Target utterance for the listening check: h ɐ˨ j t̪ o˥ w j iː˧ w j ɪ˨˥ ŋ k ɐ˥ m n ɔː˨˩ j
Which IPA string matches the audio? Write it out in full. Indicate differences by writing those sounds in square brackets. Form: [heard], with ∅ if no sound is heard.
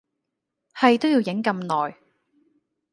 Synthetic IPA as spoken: h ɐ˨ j t̪ o˥ w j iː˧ w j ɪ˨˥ ŋ k [ɐ˧] m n ɔː˨˩ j